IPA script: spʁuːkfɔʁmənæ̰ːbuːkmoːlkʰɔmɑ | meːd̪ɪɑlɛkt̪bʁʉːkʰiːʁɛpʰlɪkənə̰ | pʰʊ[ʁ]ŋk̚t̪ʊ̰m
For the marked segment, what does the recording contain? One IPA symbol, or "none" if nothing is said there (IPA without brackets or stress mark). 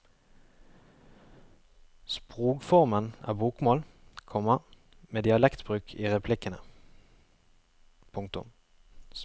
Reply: none